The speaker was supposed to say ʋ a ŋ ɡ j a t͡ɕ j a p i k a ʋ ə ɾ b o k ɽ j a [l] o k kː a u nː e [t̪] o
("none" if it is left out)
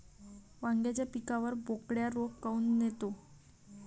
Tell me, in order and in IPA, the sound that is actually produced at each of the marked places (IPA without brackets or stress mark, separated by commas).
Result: ɾ, t̪